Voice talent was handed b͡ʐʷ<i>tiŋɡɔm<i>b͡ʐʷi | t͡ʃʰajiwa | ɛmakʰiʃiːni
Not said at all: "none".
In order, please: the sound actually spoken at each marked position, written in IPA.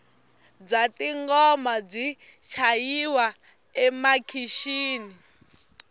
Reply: a, a

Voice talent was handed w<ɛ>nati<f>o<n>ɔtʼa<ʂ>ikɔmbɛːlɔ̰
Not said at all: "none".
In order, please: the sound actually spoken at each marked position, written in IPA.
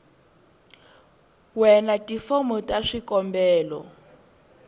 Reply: ɛ, f, m, ʂ

